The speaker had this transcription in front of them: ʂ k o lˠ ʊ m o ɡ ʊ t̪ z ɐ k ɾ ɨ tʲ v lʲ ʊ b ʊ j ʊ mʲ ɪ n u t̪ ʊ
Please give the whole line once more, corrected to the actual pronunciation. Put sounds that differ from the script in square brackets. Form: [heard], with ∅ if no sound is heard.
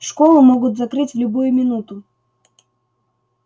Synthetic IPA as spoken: ʂ k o lˠ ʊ m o ɡ ʊ t̪ z ɐ k ɾ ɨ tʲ v lʲ ʊ b [u] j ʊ mʲ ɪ n u t̪ ʊ